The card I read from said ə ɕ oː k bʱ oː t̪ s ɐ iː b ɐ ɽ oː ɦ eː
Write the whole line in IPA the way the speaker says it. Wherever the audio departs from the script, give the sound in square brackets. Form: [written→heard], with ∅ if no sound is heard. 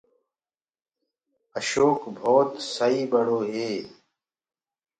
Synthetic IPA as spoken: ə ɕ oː k bʱ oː t̪ s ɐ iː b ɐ ɽ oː ɦ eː

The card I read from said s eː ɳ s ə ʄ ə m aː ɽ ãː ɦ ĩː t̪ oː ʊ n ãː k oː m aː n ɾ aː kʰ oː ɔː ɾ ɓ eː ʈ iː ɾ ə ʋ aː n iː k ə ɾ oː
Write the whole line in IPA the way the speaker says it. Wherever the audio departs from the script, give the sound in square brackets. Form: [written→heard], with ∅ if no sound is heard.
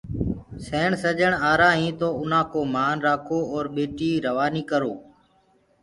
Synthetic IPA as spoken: s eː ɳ s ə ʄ ə [m→ɳ] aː [ɽ→ɾ] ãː ɦ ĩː t̪ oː ʊ n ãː k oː m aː n ɾ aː kʰ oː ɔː ɾ ɓ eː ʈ iː ɾ ə ʋ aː n iː k ə ɾ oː

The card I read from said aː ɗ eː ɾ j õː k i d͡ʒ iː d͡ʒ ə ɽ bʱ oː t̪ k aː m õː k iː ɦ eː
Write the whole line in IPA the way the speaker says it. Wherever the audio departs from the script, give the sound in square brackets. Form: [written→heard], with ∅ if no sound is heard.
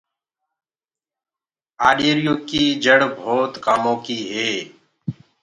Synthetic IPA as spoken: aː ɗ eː ɾ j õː k i [d͡ʒ→∅] iː d͡ʒ ə ɽ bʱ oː t̪ k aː m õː k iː ɦ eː

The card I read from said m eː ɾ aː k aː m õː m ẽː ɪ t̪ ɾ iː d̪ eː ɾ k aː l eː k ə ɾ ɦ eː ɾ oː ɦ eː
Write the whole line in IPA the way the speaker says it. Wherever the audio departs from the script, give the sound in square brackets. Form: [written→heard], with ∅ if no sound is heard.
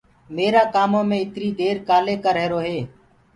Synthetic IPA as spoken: m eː ɾ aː k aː m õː m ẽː ɪ t̪ ɾ iː d̪ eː ɾ k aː l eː k ə ɾ ɦ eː ɾ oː ɦ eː

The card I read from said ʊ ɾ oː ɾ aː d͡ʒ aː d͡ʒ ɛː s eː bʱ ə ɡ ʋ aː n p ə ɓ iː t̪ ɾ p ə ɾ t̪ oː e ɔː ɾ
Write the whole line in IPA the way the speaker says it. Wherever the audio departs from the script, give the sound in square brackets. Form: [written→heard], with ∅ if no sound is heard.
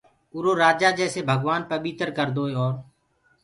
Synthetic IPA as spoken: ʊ ɾ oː ɾ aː d͡ʒ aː d͡ʒ ɛː s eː bʱ ə ɡ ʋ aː n p ə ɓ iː t̪ ɾ [p→k] ə ɾ [t̪→d̪] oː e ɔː ɾ

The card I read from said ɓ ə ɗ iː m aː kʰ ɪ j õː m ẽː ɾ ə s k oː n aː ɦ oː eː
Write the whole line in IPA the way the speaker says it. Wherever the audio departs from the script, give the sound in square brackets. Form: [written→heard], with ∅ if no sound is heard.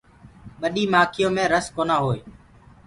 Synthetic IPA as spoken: ɓ ə ɗ iː m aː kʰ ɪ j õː m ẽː ɾ ə s k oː n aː ɦ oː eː

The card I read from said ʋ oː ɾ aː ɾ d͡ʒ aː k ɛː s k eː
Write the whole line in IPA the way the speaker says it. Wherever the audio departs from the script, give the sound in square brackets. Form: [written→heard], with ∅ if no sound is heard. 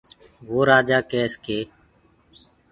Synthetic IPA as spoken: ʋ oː ɾ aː [ɾ→∅] d͡ʒ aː k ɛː s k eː

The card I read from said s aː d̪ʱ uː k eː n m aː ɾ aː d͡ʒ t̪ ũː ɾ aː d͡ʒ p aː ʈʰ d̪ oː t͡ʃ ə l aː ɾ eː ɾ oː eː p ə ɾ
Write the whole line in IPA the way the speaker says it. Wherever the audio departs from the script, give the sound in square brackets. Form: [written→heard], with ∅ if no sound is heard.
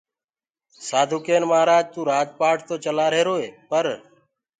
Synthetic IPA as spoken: s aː d̪ʱ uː k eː n m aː ɾ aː d͡ʒ t̪ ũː ɾ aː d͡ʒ p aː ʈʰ [d̪→t̪] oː t͡ʃ ə l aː ɾ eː ɾ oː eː p ə ɾ

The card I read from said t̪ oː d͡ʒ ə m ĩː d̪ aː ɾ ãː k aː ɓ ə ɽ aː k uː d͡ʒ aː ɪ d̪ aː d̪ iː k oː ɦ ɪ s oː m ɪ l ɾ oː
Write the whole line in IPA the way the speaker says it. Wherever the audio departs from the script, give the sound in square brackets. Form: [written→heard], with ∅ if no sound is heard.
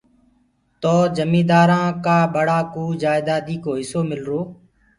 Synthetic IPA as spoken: t̪ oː d͡ʒ ə m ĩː d̪ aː ɾ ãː k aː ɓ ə ɽ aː k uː d͡ʒ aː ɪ d̪ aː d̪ iː k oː ɦ ɪ s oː m ɪ l ɾ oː

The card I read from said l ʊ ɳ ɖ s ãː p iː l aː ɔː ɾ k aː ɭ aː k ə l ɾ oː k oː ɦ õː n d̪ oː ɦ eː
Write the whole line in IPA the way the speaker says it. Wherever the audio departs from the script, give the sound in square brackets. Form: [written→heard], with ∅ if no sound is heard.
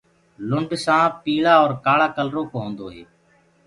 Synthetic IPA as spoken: l ʊ ɳ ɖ s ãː p iː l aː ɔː ɾ k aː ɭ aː k ə l ɾ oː k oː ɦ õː n d̪ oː ɦ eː

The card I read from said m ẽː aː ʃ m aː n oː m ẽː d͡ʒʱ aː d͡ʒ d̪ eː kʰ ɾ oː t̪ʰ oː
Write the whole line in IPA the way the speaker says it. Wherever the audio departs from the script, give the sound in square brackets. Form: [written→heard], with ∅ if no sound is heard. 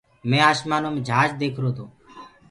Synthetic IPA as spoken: m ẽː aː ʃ m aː n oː m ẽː d͡ʒʱ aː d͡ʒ d̪ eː kʰ ɾ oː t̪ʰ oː

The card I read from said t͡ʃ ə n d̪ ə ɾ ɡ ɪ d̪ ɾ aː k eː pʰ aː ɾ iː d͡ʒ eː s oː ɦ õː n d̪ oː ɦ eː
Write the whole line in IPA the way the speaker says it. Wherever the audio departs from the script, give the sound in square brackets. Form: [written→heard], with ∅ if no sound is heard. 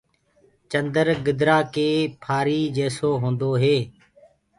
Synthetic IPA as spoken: t͡ʃ ə n d̪ ə ɾ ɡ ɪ d̪ ɾ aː k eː pʰ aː ɾ iː d͡ʒ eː s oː ɦ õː n d̪ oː ɦ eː

